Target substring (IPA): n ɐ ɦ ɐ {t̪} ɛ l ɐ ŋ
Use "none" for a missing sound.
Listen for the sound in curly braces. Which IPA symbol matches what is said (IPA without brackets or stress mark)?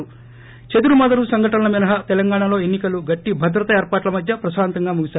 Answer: t̪